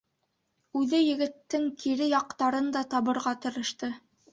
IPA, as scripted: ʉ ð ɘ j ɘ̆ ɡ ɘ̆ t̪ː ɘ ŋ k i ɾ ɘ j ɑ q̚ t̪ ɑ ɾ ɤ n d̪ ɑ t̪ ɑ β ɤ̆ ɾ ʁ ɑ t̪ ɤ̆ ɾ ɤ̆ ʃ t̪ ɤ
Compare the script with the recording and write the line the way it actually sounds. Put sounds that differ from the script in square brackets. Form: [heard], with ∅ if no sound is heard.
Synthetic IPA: ʉ ð ɘ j ɘ̆ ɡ ɘ̆ t̪ː ɘ ŋ k i ɾ ɘ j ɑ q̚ t̪ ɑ ɾ ɤ n d̪ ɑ t̪ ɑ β ɤ̆ ɾ ʁ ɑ t̪ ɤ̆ ɾ ɤ̆ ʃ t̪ ɤ

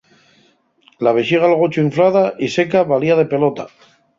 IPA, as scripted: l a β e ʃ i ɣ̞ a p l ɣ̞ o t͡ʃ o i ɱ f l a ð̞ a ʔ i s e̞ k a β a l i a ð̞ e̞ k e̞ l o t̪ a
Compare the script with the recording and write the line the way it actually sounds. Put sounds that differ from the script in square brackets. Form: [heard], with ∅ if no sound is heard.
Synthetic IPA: l a β e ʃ i ɣ̞ a [∅] l ɣ̞ o t͡ʃ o i ɱ f l a ð̞ a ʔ i s e̞ k a β a l i a ð̞ e̞ [p] e̞ l o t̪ a

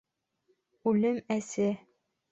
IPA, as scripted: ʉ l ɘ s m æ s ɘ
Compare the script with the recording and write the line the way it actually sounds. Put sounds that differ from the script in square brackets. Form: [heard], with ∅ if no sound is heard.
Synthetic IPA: ʉ l ɘ [∅] m æ s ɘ

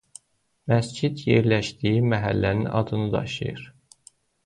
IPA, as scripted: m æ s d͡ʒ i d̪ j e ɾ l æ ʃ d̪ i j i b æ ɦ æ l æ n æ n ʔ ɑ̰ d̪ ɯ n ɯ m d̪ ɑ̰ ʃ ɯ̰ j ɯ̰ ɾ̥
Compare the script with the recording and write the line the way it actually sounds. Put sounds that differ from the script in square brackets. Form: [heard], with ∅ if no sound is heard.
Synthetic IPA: m æ s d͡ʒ i d̪ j e ɾ l æ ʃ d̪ i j i [m] æ ɦ æ [lː] æ n [i] n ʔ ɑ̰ d̪ ɯ n ɯ [∅] d̪ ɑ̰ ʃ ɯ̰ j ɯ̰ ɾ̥

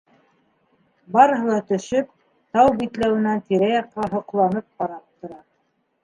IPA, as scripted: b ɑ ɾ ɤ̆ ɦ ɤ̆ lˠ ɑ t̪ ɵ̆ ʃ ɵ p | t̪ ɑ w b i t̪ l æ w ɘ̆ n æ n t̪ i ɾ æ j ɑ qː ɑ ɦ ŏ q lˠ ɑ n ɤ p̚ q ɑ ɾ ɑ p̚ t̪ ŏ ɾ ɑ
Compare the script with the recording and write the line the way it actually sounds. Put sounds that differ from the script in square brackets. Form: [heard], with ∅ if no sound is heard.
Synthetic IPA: b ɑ ɾ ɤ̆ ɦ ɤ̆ lˠ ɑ t̪ ɵ̆ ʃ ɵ p | t̪ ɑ w b i t̪ l æ w ɘ̆ n æ n t̪ i ɾ æ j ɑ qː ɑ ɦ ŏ q lˠ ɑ n ɤ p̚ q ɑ ɾ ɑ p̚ t̪ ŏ ɾ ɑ

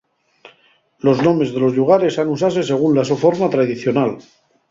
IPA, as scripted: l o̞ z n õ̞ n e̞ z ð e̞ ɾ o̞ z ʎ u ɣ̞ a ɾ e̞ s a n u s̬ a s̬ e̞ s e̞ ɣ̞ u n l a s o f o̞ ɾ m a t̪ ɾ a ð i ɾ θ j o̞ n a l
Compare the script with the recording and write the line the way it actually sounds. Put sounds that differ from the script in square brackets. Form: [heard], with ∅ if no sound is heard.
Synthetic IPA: l o̞ z n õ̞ [m] e̞ z ð e̞ [l] o̞ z ʎ u ɣ̞ a ɾ e̞ s a n u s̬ a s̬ e̞ s e̞ ɣ̞ u n l a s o f o̞ ɾ m a t̪ ɾ a ð i [∅] θ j o̞ n a l

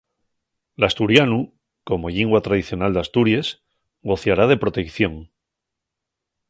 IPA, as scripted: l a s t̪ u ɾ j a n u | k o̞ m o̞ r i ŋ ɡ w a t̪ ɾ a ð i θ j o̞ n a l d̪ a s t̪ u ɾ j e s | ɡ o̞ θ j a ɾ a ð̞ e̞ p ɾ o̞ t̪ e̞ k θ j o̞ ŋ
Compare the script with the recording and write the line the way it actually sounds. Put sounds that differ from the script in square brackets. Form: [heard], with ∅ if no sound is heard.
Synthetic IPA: l a s t̪ u ɾ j a n u | k o̞ m o̞ [ʎ] i ŋ ɡ w a t̪ ɾ a ð i θ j o̞ n a l d̪ a s t̪ u ɾ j e s | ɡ o̞ θ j a ɾ a ð̞ e̞ p ɾ o̞ t̪ e̞ k θ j o̞ ŋ

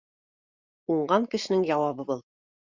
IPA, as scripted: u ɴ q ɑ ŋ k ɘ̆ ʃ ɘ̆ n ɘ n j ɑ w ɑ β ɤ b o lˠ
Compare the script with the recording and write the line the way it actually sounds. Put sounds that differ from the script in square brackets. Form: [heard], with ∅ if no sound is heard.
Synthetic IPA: u ɴ [ɢ] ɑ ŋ k ɘ̆ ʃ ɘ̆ n ɘ [ŋ] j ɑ w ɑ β ɤ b [ɤ] lˠ

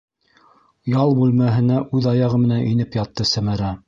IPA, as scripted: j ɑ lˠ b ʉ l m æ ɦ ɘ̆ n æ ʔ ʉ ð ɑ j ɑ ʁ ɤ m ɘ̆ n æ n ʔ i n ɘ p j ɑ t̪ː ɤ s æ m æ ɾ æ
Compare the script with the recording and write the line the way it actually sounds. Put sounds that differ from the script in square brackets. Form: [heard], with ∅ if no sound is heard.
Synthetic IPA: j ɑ lˠ b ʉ l m æ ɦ ɘ̆ n æ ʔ ʉ ð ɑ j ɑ ʁ ɤ m ɘ̆ n æ n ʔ i n ɘ p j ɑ t̪ː ɤ s æ m æ ɾ æ

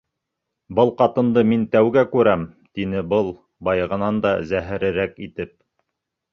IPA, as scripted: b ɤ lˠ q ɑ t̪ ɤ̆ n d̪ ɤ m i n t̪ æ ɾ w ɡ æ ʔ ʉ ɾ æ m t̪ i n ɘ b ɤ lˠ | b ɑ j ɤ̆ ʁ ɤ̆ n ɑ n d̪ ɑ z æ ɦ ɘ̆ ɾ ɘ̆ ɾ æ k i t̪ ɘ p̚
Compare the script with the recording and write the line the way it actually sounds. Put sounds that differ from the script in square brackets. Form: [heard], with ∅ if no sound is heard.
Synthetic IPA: b ɤ lˠ q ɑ t̪ ɤ̆ n d̪ ɤ m i n t̪ æ [∅] w ɡ æ [k] ʉ ɾ æ m t̪ i n ɘ b ɤ lˠ | b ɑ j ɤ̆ ʁ ɤ̆ n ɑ n d̪ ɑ z æ ɦ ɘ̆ ɾ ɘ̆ ɾ æ k i t̪ ɘ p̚

